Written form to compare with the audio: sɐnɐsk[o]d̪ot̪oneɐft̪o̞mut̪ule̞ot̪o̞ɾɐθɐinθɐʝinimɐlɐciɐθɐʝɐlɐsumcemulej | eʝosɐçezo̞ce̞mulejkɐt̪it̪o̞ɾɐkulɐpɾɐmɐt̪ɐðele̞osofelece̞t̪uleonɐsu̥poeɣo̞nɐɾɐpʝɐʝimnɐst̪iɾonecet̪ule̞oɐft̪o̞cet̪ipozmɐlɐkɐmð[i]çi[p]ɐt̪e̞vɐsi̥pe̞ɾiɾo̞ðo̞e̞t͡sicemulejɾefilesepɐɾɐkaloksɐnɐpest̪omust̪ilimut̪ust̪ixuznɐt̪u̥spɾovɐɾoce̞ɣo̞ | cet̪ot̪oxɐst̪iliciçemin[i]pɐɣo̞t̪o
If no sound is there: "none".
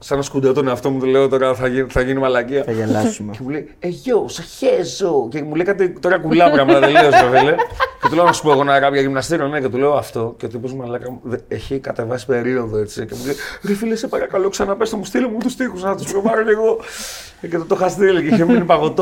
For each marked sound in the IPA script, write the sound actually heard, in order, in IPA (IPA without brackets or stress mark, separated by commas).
u, e, k, i